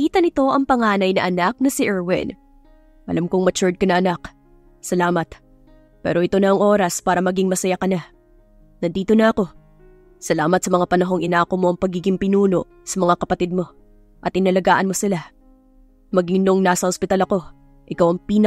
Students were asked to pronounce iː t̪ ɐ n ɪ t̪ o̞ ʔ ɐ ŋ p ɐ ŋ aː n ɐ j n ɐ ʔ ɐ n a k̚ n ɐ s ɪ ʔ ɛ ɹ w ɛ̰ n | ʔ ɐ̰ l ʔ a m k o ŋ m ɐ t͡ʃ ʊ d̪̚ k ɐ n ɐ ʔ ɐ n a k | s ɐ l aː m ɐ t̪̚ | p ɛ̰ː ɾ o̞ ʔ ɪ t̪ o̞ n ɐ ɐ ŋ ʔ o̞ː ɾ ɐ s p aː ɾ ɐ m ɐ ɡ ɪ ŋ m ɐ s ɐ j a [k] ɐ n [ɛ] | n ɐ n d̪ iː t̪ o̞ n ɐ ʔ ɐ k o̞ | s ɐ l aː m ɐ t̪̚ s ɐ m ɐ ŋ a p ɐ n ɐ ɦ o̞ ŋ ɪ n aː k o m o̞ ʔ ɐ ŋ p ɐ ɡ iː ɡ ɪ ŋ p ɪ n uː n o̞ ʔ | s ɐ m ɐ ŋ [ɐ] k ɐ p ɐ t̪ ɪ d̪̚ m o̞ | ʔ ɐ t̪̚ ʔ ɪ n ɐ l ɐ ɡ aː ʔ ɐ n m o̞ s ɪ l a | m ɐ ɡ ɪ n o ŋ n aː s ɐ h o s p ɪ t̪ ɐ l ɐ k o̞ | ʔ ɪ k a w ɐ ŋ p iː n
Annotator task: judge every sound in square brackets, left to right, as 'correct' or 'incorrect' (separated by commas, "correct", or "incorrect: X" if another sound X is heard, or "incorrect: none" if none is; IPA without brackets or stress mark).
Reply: correct, incorrect: a, incorrect: a